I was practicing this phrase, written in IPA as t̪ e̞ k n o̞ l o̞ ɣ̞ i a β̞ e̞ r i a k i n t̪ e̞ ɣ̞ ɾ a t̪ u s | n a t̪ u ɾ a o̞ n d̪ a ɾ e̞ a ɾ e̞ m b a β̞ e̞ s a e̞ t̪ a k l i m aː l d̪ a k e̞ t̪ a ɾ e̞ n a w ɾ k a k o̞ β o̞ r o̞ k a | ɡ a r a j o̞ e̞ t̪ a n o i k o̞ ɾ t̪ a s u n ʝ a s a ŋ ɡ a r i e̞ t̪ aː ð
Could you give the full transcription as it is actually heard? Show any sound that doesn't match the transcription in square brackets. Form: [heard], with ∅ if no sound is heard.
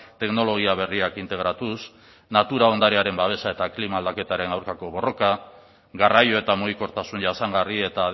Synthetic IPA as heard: t̪ e̞ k n o̞ l o̞ ɣ̞ i a β̞ e̞ r i a k i n t̪ e̞ ɣ̞ ɾ a t̪ u s | n a t̪ u ɾ a o̞ n d̪ a ɾ e̞ a ɾ e̞ m b a β̞ e̞ s a e̞ t̪ a k l i m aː l d̪ a k e̞ t̪ a ɾ e̞ n a w ɾ k a k o̞ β o̞ r o̞ k a | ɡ a r a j o̞ e̞ t̪ a [m] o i k o̞ ɾ t̪ a s u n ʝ a s a ŋ ɡ a r i e̞ t̪ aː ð